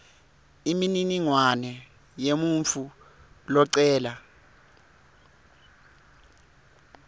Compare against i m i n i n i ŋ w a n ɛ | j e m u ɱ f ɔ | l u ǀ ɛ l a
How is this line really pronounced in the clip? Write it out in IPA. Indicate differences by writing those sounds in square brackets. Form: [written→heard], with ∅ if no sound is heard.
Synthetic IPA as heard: i m i n i n i ŋ w a n ɛ | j e m u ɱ f [ɔ→u] | l [u→ɔ] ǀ [ɛ→ɛː] l a